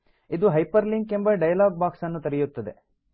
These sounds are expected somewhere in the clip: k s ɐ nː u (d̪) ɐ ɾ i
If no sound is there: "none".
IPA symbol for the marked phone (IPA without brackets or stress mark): t̪